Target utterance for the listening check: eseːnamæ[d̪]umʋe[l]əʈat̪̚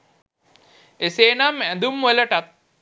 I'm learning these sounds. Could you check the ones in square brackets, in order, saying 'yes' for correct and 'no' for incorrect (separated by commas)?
yes, yes